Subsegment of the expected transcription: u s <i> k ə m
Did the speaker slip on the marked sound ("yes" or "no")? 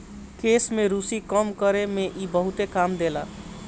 no